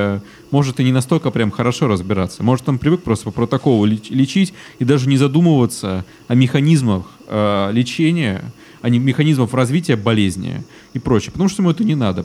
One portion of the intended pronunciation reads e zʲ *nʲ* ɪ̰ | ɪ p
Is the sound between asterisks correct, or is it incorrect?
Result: correct